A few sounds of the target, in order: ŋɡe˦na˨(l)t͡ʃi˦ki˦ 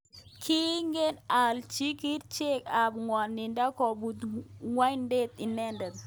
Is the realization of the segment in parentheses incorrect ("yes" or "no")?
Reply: no